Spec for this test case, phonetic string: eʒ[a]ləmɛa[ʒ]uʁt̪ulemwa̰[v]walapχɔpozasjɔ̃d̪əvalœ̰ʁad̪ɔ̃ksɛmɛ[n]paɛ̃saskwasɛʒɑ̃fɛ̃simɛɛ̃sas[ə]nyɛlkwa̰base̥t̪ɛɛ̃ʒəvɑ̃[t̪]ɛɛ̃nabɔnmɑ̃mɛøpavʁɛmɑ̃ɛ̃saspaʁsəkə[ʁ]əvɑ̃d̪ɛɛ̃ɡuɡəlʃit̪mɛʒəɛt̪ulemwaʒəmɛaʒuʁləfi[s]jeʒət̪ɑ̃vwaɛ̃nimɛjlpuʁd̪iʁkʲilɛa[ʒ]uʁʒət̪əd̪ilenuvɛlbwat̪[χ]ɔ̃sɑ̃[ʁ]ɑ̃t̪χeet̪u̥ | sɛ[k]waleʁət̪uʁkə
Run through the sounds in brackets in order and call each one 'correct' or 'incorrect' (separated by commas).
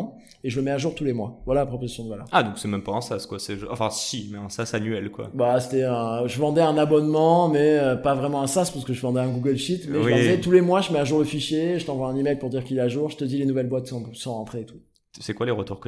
incorrect, correct, correct, incorrect, incorrect, incorrect, incorrect, incorrect, correct, incorrect, correct, correct